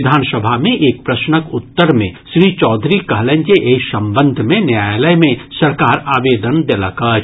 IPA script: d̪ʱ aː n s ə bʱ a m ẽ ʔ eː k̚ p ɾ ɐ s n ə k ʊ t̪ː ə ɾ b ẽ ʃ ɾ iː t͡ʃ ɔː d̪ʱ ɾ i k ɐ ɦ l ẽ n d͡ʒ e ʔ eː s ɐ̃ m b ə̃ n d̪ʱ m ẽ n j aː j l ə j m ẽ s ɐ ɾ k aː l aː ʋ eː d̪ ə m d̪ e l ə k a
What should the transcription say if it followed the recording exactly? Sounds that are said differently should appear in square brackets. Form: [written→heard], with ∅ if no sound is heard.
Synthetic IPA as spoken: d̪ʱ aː n s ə bʱ a m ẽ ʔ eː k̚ p ɾ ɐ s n ə k ʊ t̪ː ə ɾ [b→m] ẽ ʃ ɾ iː t͡ʃ ɔː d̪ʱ ɾ i k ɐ ɦ l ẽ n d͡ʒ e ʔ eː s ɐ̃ m b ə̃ n d̪ʱ m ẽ n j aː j l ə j m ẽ s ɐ ɾ k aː [l→ɾ] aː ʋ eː d̪ ə [m→n] d̪ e l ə k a